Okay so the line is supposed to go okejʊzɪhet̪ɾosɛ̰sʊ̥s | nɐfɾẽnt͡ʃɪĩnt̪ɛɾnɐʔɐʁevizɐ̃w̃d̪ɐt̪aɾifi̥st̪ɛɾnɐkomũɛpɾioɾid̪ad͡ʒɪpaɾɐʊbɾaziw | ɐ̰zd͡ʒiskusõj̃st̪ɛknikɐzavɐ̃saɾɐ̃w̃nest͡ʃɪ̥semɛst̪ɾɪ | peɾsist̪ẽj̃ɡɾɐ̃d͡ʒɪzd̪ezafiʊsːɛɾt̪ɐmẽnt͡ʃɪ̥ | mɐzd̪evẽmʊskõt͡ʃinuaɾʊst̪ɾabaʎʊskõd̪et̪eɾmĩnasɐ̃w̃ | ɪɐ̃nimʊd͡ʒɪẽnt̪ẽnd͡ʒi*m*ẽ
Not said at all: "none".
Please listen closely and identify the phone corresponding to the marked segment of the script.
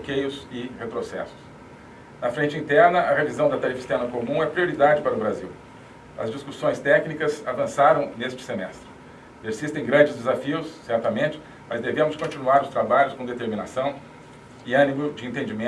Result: m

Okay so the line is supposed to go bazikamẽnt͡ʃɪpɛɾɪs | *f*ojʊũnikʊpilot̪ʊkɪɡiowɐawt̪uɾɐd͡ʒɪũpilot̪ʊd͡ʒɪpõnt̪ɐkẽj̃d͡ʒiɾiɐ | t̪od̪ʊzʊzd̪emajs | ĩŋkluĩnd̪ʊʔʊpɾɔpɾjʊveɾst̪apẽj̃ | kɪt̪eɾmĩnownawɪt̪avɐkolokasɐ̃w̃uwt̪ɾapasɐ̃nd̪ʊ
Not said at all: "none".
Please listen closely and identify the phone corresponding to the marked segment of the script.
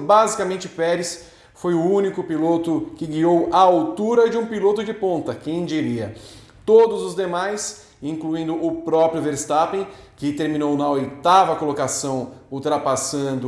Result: f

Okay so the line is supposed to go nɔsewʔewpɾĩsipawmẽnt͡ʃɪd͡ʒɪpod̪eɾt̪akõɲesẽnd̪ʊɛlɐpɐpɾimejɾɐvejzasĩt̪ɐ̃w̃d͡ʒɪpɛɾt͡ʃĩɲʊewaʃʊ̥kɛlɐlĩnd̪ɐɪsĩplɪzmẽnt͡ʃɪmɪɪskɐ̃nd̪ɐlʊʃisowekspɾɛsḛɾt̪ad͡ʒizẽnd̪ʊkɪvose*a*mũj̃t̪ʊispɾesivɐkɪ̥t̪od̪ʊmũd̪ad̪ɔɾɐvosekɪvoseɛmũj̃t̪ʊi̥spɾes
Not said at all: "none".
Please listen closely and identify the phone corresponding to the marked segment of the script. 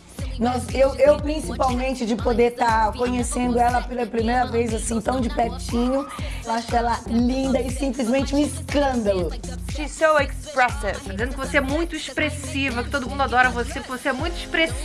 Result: ɛ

